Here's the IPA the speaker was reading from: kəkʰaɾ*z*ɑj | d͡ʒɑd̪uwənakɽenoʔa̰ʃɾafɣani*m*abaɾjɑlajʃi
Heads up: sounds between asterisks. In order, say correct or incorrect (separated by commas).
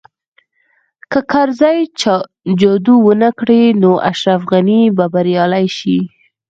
correct, incorrect